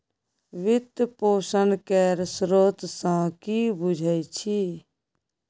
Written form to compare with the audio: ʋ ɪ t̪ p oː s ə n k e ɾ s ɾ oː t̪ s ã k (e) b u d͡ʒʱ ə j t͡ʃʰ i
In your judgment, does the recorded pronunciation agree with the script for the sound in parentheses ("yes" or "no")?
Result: no